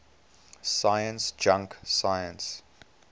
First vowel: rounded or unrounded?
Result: unrounded